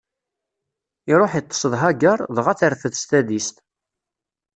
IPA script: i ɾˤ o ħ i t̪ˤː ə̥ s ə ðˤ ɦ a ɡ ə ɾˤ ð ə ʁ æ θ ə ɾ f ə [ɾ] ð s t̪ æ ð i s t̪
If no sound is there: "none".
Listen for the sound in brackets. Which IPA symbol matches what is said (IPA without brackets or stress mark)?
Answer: none